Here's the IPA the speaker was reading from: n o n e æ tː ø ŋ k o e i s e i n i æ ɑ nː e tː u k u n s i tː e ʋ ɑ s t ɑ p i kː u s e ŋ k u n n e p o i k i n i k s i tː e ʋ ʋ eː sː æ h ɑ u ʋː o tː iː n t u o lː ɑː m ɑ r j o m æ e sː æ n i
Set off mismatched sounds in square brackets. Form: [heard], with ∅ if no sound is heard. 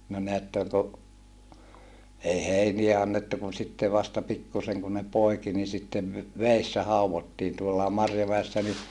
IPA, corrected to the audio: n o n e æ tː ø ŋ k o e i [h] e i n i æ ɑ nː e tː u k u n s i tː e ʋ ɑ s t ɑ p i kː u s e ŋ k u n n e p o i k i n i [∅] s i tː e ʋ ʋ eː sː æ h ɑ u [ʋ] o tː iː n t u o lː ɑː m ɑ r j o m æ e sː æ n i